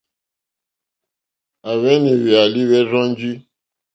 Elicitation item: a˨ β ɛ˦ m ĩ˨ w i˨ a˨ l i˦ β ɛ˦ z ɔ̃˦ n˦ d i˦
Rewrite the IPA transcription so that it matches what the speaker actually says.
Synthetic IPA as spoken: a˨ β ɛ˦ n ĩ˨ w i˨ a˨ l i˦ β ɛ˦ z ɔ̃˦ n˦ d͡ʒ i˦